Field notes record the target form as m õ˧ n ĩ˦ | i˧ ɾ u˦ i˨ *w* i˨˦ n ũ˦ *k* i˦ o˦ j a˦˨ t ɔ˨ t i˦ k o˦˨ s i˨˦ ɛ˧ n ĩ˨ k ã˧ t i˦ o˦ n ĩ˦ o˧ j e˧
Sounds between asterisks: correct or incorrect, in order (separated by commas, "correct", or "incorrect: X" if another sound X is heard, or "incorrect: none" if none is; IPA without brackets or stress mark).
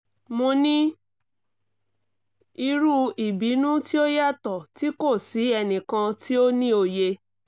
incorrect: b, incorrect: t